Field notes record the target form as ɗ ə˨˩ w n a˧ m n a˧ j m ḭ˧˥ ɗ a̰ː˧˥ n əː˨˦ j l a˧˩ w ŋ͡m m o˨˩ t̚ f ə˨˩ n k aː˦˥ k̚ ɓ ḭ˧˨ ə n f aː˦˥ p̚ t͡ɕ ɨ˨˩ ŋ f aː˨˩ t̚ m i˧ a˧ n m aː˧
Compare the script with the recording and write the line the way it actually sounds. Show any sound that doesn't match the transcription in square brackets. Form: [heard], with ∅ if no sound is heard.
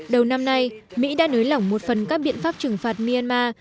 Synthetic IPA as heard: ɗ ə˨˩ w n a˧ m n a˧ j m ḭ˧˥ ɗ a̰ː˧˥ n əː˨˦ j l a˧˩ w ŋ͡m m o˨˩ t̚ f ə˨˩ n k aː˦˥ k̚ ɓ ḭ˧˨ ə n f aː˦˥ p̚ t͡ɕ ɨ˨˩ ŋ f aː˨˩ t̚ m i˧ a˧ n m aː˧